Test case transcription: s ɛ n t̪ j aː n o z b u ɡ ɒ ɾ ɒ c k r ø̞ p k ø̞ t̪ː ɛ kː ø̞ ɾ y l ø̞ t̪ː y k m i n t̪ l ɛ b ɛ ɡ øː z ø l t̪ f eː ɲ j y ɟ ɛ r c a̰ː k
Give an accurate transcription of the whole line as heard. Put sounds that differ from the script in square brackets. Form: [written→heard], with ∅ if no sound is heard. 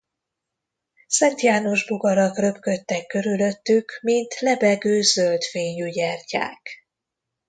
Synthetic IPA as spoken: s ɛ n t̪ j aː n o [z→ʒ] b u ɡ ɒ ɾ ɒ [c→∅] k r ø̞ p k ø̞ t̪ː ɛ kː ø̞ ɾ y l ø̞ t̪ː y k m i n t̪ l ɛ b ɛ ɡ øː z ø l t̪ f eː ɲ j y ɟ ɛ r c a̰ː k